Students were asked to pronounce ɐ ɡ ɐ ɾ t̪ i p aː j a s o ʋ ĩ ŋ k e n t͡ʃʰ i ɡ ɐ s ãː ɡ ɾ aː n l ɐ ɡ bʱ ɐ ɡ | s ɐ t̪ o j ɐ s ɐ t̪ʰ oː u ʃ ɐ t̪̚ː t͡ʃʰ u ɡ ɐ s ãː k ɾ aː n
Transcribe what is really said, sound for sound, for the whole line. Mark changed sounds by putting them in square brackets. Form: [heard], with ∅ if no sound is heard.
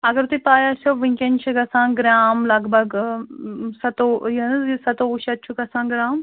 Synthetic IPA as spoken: ɐ ɡ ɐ ɾ t̪ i p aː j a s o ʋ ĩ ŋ k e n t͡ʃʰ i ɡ ɐ s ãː ɡ ɾ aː [m] l ɐ ɡ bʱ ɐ ɡ | s ɐ t̪ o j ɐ s ɐ [t̪] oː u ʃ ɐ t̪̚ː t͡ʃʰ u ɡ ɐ s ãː [ɡ] ɾ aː [m]